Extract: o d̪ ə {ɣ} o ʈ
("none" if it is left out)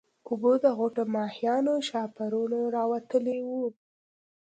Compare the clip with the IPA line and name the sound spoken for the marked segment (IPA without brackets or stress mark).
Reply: ɣ